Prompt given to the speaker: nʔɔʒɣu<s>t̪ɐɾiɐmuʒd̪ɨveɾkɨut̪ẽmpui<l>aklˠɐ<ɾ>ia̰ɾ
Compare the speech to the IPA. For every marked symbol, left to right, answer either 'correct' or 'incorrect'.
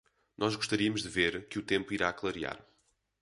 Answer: incorrect: ʃ, incorrect: ɾ, correct

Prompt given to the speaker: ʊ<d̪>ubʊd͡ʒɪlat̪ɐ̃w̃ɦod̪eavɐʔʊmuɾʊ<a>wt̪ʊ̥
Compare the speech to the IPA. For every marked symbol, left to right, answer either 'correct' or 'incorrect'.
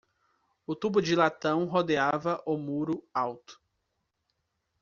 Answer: incorrect: t̪, correct

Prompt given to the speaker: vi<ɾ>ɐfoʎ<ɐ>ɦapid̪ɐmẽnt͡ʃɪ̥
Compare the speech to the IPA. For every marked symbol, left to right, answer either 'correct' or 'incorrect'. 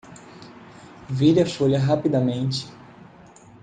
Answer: correct, correct

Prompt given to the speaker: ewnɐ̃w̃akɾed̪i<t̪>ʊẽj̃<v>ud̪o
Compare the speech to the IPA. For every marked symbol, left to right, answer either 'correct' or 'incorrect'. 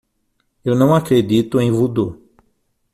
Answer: correct, correct

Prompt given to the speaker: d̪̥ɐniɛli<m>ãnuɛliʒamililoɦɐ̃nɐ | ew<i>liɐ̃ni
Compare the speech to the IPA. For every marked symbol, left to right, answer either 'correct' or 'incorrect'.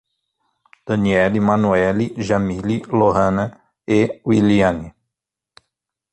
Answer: correct, correct

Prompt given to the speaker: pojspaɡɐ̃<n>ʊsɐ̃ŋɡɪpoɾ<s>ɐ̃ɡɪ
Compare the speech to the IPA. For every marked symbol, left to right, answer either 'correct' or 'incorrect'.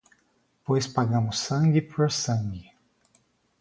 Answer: incorrect: m, correct

